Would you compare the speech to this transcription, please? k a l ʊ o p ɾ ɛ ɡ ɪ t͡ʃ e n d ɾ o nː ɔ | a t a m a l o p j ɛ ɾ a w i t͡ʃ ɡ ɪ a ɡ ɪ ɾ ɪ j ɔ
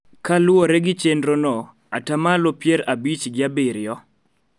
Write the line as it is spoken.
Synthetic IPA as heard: k a l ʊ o ɾ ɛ ɡ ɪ t͡ʃ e n d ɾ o n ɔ | a t a m a l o p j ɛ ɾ a b i t͡ʃ ɡ ɪ a b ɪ ɾ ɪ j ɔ